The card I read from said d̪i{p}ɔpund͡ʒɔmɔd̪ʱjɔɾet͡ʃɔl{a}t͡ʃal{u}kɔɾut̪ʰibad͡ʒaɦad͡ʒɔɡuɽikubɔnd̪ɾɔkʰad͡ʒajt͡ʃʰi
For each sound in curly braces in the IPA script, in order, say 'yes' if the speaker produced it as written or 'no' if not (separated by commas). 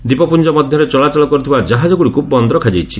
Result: yes, yes, no